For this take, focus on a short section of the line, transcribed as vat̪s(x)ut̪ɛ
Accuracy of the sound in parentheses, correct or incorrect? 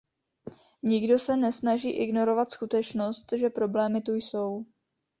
incorrect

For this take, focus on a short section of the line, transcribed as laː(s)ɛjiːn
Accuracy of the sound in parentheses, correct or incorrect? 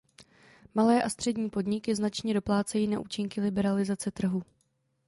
incorrect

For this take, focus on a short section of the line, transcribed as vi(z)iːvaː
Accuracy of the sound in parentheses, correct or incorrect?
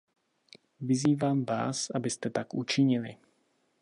correct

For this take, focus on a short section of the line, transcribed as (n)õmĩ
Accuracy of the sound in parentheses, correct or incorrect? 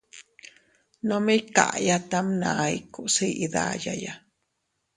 correct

